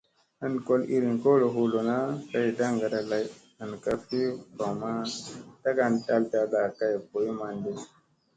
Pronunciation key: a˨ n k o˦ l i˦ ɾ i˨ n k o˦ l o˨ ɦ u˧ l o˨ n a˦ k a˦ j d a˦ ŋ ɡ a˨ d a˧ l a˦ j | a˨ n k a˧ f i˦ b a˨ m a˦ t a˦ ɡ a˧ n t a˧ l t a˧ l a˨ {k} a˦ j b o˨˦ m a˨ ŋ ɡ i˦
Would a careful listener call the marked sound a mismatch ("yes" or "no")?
no